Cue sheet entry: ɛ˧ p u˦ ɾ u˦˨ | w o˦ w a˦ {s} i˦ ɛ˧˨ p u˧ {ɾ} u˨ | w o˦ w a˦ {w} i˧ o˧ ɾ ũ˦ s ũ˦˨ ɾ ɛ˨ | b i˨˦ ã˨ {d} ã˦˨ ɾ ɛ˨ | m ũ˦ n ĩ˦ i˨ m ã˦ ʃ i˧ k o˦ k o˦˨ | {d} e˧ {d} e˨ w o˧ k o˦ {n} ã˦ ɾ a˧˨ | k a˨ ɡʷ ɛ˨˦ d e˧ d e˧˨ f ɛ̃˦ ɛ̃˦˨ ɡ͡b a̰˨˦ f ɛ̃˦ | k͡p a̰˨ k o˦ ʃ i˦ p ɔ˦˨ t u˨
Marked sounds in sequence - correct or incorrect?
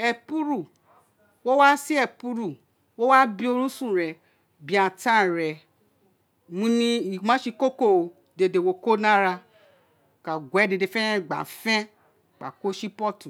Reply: correct, correct, incorrect, incorrect, correct, correct, correct

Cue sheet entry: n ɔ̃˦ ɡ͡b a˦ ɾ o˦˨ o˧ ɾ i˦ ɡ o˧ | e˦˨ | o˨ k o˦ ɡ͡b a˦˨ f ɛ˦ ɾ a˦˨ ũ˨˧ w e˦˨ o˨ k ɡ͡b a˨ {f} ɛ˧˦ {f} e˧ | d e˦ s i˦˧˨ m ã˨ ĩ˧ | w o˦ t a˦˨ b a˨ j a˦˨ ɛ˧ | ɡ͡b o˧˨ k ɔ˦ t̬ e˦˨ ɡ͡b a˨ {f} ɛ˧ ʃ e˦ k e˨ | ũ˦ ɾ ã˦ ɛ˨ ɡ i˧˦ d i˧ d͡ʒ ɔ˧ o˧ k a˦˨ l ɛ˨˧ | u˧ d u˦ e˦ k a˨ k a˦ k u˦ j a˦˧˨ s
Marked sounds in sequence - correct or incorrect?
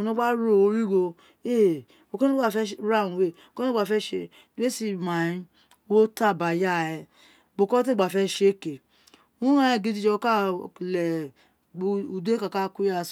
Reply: correct, incorrect, correct

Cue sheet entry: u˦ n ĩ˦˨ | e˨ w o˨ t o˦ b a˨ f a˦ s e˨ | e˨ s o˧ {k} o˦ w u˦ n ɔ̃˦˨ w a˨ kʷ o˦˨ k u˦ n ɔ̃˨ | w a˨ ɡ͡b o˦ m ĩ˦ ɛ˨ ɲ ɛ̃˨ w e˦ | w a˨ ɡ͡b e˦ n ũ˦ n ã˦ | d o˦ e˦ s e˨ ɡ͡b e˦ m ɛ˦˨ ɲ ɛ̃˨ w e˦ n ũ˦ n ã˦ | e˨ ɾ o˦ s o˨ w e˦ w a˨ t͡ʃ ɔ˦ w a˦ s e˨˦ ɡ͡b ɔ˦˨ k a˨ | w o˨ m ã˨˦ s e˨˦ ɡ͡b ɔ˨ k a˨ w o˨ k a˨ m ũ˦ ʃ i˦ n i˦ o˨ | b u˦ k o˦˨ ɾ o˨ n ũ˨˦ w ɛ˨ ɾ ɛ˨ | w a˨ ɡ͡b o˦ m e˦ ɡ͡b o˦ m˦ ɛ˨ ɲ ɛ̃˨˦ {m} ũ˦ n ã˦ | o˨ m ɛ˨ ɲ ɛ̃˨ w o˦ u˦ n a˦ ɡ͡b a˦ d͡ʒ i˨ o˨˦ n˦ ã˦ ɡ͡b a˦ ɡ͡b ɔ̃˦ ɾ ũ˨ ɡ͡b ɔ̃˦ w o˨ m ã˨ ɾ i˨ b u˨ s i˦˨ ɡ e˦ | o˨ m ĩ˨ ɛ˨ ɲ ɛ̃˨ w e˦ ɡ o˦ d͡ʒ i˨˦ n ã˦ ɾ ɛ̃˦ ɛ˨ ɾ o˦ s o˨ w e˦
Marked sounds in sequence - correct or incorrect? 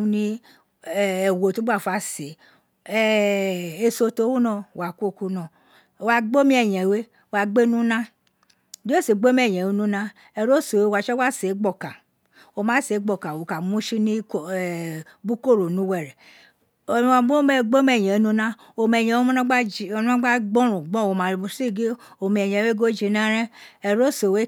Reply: incorrect, incorrect

